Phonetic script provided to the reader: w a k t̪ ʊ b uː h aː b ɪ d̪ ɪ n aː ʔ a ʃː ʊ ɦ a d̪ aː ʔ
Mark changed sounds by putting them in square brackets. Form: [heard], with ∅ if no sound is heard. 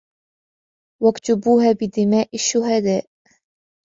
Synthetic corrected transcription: w a k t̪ ʊ b uː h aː b ɪ d̪ ɪ [m] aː ʔ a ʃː ʊ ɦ a d̪ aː ʔ

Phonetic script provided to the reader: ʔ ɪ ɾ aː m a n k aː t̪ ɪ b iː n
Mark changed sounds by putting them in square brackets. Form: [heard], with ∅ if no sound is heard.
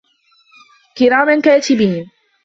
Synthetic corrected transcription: [k] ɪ ɾ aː m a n k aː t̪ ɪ b iː n

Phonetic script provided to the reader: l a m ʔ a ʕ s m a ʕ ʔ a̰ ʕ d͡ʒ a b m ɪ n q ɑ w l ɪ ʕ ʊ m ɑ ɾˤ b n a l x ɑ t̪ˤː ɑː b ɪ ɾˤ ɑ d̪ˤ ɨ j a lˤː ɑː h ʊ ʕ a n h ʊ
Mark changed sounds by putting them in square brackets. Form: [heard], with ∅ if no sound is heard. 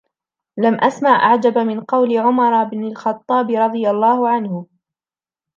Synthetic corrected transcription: l a m ʔ a [∅] s m a ʕ ʔ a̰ ʕ d͡ʒ a b m ɪ n q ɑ w l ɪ ʕ ʊ m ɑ ɾˤ b n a l x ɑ t̪ˤː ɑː b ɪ ɾˤ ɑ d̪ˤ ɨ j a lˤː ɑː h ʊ ʕ a n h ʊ

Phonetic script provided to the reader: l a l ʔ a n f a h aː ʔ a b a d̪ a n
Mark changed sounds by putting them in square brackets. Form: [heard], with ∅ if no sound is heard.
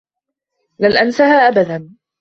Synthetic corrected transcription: l a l ʔ a n [s] a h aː ʔ a b a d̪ a n

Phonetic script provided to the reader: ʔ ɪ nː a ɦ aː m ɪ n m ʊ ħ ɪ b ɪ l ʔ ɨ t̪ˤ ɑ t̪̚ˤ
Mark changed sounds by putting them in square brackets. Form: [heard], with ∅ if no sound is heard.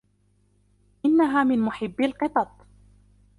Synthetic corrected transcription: ʔ ɪ nː a ɦ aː m ɪ n m ʊ ħ ɪ [bː] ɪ l [q] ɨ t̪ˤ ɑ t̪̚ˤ

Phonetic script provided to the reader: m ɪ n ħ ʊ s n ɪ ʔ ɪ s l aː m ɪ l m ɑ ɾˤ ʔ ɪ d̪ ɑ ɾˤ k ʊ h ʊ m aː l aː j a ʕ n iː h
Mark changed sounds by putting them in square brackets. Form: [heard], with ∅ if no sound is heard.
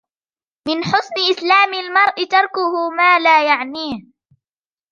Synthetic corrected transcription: m ɪ n ħ ʊ s n ɪ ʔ ɪ s l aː m ɪ l m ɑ ɾˤ ʔ ɪ [t̪] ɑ ɾˤ k ʊ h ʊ m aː l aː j a ʕ n iː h

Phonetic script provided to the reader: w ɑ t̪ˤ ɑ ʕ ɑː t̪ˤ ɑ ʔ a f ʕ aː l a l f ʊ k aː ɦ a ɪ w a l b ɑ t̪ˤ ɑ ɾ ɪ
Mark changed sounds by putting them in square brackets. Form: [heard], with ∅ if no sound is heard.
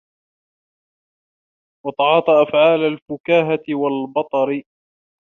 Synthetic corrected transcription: w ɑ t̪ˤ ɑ ʕ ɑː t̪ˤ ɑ ʔ a f ʕ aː l a l f ʊ k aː ɦ a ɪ w a l b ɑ t̪ˤ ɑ ɾ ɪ

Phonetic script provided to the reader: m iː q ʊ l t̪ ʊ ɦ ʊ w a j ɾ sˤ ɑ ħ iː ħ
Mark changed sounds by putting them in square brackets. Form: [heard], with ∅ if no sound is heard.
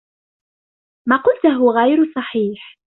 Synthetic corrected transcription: m [aː] q ʊ l t̪ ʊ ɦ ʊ [ɣ] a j ɾ sˤ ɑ ħ iː ħ

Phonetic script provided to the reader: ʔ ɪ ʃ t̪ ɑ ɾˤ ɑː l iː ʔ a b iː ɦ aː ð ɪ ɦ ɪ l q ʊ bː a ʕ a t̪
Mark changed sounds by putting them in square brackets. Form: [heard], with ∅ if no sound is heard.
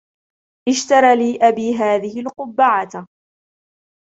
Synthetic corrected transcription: ʔ ɪ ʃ t̪ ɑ ɾˤ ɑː l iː ʔ a b iː ɦ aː ð ɪ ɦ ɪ l q ʊ bː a ʕ a t̪

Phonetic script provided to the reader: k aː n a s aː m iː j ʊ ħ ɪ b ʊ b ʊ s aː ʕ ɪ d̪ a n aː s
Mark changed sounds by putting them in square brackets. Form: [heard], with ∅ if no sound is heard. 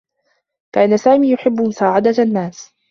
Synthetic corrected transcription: k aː n a s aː m iː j ʊ ħ ɪ [bː] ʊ [m] ʊ s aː ʕ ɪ d̪ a [nː] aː s

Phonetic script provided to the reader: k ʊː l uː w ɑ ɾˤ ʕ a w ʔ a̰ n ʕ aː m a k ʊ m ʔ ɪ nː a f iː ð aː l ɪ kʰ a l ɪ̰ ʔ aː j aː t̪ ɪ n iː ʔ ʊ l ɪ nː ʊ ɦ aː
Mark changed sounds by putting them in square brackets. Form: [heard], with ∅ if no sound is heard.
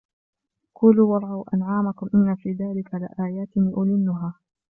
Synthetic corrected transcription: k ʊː l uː w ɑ ɾˤ ʕ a w ʔ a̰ n ʕ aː m a k ʊ m ʔ ɪ nː a f iː ð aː l ɪ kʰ a l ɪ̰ ʔ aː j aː t̪ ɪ n iː ʔ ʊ l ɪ nː ʊ ɦ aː

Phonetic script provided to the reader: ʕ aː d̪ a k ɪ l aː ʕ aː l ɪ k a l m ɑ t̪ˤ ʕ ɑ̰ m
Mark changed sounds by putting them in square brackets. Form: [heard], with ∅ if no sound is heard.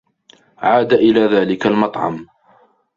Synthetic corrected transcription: ʕ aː d̪ a [ʔ] ɪ l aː [ð] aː l ɪ k a l m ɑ t̪ˤ ʕ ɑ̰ m

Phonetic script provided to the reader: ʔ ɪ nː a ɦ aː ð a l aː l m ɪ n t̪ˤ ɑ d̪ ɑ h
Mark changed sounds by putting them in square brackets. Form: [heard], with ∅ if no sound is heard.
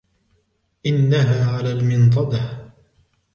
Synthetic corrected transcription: ʔ ɪ nː a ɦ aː [ʕ] a l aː l m ɪ n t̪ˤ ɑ d̪ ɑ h

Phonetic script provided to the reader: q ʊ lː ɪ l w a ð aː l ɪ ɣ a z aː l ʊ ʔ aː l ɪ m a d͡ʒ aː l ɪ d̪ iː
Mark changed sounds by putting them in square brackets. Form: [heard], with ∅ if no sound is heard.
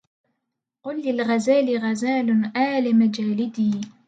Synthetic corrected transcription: q ʊ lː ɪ l [ɣ] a [z] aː l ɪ ɣ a z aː l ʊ ʔ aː l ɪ m a d͡ʒ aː l ɪ d̪ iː

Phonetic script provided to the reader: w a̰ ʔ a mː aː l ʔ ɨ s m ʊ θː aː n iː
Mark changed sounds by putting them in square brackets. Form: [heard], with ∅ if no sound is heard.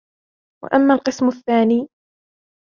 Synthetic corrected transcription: w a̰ ʔ a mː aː l [q] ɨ s m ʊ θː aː n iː

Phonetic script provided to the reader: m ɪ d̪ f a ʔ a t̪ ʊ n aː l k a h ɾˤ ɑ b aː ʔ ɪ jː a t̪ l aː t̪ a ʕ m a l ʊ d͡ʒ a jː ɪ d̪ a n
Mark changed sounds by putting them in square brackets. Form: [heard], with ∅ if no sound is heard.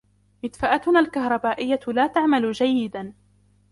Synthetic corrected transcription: m ɪ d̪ f a ʔ a t̪ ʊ n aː l k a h ɾˤ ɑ b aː ʔ ɪ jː a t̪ l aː t̪ a ʕ m a l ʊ d͡ʒ a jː ɪ d̪ a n

